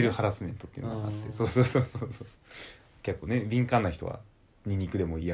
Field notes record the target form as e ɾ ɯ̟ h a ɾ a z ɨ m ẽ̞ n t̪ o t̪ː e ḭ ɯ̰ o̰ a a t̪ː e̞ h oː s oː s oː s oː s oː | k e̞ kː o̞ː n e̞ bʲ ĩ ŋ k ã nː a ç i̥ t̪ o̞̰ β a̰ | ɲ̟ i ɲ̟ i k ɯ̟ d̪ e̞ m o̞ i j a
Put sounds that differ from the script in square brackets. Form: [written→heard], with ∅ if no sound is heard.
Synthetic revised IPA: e ɾ ɯ̟ h a ɾ a [z→s] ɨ m ẽ̞ n t̪ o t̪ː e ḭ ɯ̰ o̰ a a t̪ː e̞ [h→s] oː s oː s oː s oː s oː | k e̞ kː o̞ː n e̞ bʲ ĩ ŋ k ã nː a ç i̥ t̪ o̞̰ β a̰ | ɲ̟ i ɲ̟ i k ɯ̟ d̪ e̞ m o̞ i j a